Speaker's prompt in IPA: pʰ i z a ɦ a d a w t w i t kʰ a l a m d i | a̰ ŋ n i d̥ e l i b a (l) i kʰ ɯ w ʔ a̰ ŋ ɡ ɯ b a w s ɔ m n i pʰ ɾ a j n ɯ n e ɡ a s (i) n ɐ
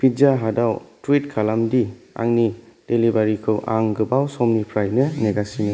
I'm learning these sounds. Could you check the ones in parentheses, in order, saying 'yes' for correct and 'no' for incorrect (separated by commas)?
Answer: no, yes